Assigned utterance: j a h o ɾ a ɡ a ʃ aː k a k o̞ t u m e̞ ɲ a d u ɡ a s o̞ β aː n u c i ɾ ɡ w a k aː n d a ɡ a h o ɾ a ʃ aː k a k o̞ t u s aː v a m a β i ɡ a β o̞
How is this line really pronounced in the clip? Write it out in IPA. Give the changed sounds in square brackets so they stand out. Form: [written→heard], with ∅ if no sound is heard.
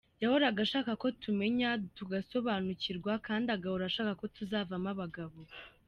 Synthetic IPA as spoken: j a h o ɾ a ɡ a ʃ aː k a k o̞ t u m e̞ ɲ a [d→t] u ɡ a s o̞ β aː n u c i ɾ ɡ w a k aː n d a ɡ a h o ɾ a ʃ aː k a k o̞ t u [s→z] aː v a m a β [i→a] ɡ a β o̞